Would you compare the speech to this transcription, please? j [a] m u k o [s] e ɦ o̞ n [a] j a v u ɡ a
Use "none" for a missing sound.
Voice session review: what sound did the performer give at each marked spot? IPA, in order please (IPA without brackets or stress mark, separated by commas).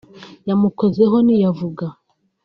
a, z, i